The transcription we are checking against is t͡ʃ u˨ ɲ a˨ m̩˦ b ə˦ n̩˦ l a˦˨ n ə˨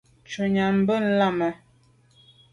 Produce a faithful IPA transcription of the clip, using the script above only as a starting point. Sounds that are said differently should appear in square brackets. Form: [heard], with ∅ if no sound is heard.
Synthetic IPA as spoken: t͡ʃ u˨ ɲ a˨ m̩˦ b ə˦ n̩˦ l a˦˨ [m] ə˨